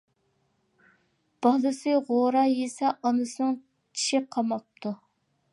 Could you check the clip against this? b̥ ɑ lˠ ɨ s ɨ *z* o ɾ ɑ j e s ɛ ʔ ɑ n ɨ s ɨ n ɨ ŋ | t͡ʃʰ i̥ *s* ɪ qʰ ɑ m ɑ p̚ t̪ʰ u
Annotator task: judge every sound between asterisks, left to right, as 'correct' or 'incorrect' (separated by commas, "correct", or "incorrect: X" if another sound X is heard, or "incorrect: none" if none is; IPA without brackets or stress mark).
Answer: incorrect: ʁ, incorrect: ʃ